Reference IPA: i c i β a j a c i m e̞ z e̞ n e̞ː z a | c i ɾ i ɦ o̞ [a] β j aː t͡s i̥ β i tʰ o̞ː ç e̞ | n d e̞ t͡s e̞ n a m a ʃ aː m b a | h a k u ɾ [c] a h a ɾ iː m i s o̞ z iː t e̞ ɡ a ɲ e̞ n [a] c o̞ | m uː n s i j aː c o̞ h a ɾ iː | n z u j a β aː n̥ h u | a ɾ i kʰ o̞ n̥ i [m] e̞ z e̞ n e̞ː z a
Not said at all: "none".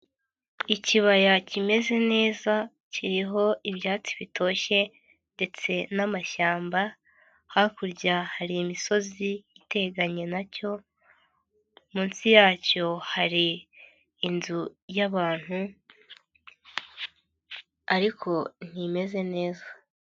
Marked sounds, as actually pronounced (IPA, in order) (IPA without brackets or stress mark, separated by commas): i, ɟ, a, m